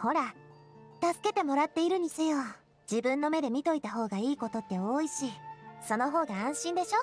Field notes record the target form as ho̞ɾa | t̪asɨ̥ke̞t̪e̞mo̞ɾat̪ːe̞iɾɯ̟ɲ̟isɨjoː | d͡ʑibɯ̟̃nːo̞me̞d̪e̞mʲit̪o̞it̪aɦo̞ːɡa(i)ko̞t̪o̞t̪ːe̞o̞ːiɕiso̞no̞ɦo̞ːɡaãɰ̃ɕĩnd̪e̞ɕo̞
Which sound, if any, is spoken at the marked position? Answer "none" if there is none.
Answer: iː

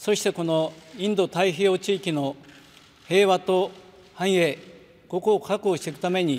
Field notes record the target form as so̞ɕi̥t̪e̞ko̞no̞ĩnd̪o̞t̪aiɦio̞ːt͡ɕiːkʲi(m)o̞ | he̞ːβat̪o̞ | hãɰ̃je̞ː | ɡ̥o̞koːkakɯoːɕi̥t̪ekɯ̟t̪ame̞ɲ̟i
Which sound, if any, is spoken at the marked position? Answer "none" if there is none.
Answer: n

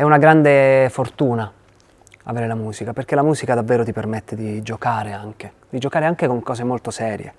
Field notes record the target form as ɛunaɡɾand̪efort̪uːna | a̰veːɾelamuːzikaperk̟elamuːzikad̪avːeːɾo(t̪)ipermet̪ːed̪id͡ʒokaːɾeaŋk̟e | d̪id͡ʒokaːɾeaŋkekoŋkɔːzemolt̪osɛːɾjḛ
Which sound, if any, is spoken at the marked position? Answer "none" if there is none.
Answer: t̪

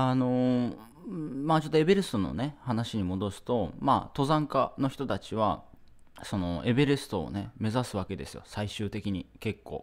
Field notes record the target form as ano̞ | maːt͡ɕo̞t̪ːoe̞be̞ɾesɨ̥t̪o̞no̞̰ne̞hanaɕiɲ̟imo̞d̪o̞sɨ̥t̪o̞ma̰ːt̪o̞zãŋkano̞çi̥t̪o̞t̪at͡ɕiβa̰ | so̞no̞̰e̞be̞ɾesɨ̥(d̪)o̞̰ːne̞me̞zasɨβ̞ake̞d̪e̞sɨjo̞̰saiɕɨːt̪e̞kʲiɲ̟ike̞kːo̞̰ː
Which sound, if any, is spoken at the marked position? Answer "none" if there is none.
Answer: t̪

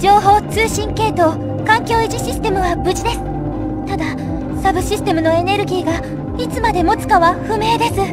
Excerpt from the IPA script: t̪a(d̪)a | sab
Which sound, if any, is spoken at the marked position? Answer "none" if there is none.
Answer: d̪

